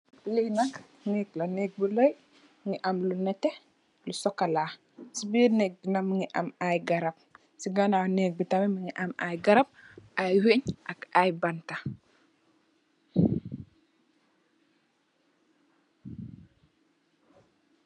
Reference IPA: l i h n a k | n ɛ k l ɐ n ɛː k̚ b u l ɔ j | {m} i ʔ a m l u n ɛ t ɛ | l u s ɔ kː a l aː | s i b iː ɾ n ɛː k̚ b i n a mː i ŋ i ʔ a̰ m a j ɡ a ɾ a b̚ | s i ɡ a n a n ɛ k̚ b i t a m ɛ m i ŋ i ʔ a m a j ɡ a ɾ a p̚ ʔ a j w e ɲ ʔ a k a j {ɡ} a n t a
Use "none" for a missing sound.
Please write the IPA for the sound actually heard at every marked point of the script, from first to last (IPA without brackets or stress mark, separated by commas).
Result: ŋ, b